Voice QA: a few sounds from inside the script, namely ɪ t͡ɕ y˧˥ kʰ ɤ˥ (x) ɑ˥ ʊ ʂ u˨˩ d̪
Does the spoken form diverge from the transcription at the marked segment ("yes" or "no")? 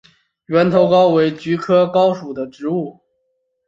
yes